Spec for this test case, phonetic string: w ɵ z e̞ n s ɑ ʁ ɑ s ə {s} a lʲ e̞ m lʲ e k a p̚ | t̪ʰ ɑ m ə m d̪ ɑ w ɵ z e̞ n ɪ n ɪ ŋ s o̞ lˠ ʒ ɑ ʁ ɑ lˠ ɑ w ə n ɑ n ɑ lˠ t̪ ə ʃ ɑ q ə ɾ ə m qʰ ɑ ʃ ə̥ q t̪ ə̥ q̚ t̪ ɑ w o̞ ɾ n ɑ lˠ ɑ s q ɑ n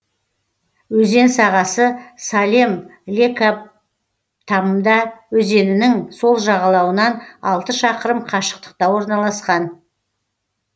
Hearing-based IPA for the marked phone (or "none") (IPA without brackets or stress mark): s